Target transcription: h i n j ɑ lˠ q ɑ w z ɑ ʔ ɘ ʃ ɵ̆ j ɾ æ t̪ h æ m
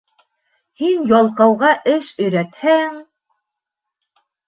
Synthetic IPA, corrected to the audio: h i n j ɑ lˠ q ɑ w ʁ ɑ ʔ ɘ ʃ ɵ̆ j ɾ æ t̪ h æ ŋ